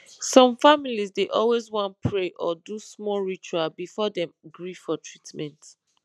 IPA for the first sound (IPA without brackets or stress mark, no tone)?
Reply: s